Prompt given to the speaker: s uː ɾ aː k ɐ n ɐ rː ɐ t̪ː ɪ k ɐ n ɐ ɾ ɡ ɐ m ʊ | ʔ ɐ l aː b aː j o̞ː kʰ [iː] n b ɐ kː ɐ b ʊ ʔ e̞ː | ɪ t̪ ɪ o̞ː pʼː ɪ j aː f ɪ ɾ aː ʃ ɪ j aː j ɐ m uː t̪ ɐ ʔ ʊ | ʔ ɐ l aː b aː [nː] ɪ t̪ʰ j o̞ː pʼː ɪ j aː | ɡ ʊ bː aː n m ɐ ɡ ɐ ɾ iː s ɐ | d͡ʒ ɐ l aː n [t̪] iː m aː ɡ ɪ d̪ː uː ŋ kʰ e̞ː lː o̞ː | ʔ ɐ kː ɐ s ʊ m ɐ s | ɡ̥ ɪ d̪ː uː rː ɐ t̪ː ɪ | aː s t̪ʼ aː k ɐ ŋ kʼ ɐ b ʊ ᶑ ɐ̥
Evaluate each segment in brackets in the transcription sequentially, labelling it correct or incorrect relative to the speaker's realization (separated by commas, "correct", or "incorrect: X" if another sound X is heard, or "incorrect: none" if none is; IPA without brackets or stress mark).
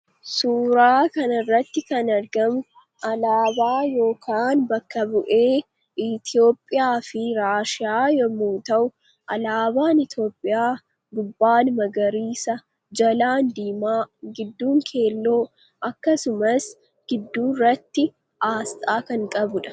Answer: incorrect: aː, incorrect: n, incorrect: d̪